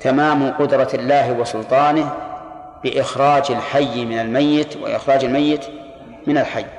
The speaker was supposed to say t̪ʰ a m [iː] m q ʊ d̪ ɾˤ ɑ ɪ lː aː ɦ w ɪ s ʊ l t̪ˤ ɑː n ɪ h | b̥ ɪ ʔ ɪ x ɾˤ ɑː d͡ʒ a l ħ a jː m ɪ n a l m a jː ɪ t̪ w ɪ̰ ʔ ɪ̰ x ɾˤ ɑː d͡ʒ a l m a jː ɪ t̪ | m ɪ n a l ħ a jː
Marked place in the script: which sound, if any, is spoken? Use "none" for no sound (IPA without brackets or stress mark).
aː